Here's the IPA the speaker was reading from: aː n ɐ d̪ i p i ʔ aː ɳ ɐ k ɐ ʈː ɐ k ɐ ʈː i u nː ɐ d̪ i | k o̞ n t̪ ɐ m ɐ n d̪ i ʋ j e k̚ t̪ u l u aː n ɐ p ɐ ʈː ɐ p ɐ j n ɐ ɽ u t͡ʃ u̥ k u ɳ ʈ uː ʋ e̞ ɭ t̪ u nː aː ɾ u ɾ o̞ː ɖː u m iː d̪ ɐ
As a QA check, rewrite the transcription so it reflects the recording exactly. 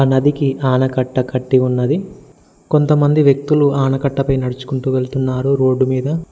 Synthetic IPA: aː n ɐ d̪ i k i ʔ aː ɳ ɐ k ɐ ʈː ɐ k ɐ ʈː i u nː ɐ d̪ i | k o̞ n t̪ ɐ m ɐ n d̪ i ʋ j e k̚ t̪ u l u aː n ɐ k ɐ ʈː ɐ p ɐ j n ɐ ɽ u t͡ʃ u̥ k u ɳ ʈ uː ʋ e̞ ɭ t̪ u nː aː ɾ u ɾ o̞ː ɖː u m iː d̪ ɐ